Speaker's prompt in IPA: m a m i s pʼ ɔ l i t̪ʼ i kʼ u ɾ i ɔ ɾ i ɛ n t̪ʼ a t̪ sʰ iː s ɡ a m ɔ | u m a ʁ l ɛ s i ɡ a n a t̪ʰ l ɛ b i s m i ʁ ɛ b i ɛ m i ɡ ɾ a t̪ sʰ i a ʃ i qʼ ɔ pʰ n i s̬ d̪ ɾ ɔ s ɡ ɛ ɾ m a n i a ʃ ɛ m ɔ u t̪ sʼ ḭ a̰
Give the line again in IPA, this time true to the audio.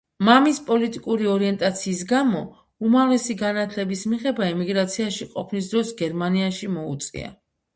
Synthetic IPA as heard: m a m i s pʼ ɔ l i t̪ʼ i kʼ u ɾ i ɔ ɾ i ɛ n t̪ʼ a t̪ sʰ iː s ɡ a m ɔ | u m a v l ɛ s i ɡ a n a t̪ʰ l ɛ b i s m i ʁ ɛ b a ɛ m i ɡ ɾ a t̪ sʰ i a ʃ i qʼ ɔ pʰ n i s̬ d̪ ɾ ɔ s ɡ ɛ ɾ m a n i a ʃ i m ɔ u t̪ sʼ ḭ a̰